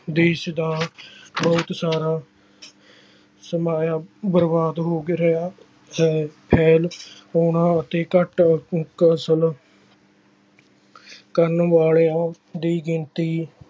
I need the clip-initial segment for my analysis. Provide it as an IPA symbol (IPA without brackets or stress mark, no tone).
d̪